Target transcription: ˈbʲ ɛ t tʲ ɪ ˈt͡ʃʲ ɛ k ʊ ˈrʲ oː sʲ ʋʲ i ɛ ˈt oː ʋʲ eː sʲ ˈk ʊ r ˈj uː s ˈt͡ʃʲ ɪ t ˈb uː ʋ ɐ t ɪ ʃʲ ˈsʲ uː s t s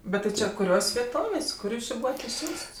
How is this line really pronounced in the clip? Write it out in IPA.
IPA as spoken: ˈbʲ ɛ t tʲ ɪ ˈt͡ʃʲ ɛ k ʊ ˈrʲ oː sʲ ʋʲ i ɛ ˈt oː ʋʲ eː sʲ ˈk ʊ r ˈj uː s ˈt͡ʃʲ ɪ ˈb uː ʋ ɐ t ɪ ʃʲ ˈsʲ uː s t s